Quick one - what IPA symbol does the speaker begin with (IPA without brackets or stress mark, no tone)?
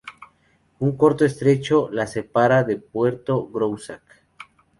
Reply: u